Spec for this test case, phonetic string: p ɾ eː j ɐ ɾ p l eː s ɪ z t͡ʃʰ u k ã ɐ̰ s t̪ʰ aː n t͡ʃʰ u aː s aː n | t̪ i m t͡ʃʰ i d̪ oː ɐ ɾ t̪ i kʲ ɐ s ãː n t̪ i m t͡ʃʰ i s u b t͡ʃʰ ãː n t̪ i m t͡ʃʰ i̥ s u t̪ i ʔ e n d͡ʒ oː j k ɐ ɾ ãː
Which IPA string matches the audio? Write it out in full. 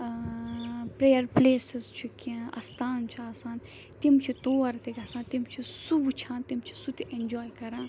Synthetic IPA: p ɾ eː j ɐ ɾ p l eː s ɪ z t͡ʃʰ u k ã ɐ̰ s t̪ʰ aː n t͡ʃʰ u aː s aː n | t̪ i m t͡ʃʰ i t̪ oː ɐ ɾ t̪ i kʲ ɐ s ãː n t̪ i m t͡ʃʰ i s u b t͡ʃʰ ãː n t̪ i m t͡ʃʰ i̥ s u t̪ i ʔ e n d͡ʒ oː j k ɐ ɾ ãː